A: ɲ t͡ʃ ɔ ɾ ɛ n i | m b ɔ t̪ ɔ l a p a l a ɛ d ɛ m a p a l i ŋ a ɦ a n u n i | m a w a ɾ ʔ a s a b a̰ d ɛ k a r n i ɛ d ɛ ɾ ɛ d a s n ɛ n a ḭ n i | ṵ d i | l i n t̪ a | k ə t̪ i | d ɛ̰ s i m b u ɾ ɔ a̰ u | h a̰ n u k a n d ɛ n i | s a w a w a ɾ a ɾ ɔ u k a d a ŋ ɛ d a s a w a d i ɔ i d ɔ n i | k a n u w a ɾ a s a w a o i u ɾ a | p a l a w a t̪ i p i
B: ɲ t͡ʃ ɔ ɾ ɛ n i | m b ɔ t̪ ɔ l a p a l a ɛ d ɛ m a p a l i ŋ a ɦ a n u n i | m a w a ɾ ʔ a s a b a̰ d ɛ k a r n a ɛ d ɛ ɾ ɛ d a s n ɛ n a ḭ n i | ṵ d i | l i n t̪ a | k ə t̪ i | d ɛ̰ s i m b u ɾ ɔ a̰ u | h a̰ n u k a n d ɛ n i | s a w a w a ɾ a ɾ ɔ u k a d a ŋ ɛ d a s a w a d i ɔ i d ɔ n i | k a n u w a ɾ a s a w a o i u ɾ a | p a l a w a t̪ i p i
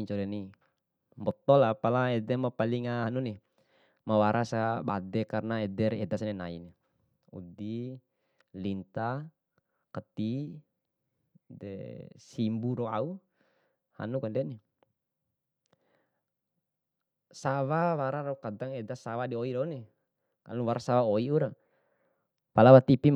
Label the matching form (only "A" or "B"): B